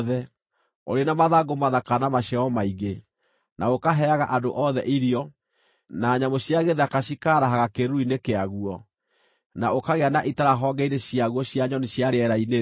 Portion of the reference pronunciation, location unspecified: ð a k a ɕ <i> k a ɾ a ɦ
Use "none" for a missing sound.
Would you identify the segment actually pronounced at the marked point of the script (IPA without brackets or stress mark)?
i